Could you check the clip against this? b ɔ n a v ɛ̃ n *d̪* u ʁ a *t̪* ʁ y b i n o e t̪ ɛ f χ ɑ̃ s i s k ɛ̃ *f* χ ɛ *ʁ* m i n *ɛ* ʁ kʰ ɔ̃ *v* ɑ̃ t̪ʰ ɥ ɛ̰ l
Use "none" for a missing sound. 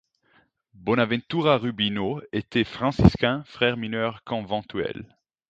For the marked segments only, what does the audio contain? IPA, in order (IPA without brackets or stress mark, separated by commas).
t̪, none, f, ʁ, œ, v